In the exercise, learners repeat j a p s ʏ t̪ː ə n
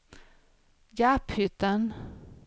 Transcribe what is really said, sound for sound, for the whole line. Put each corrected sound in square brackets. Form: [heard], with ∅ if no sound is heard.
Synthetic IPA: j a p [h] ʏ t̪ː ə n